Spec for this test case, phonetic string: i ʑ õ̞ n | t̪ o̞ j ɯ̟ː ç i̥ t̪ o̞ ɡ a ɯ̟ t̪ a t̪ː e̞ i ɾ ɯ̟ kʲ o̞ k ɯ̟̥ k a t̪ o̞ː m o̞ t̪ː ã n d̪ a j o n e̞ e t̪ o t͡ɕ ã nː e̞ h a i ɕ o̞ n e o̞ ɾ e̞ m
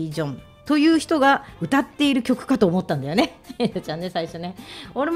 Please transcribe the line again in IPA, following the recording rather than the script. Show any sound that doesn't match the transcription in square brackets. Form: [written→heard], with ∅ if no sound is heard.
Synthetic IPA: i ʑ õ̞ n | t̪ o̞ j ɯ̟ː ç i̥ t̪ o̞ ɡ a ɯ̟ t̪ a t̪ː e̞ i ɾ ɯ̟ kʲ o̞ k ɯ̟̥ k a t̪ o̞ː m o̞ t̪ː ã n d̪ a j o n e̞ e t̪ o t͡ɕ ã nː e̞ [h→s] a i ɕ o̞ n e o̞ ɾ e̞ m